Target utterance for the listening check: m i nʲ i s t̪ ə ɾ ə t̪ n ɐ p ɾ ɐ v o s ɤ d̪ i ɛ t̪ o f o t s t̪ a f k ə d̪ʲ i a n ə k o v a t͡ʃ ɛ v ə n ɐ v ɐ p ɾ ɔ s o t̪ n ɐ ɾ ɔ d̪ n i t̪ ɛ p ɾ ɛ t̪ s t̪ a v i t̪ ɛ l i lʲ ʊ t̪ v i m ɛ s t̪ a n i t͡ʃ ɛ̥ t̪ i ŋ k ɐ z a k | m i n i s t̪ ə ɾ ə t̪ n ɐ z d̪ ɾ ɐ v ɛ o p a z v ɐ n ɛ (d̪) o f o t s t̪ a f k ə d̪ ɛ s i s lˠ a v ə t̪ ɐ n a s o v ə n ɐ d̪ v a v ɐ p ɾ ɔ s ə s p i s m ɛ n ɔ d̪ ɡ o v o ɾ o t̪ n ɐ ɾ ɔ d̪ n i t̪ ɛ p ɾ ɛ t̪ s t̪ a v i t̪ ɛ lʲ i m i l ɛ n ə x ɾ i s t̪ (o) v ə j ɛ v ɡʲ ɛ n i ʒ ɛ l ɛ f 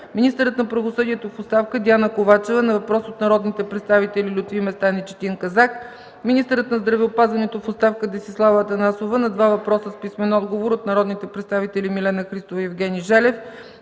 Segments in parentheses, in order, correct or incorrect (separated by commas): incorrect, correct